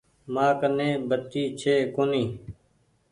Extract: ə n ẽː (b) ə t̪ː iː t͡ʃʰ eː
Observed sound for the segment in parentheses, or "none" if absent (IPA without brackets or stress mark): b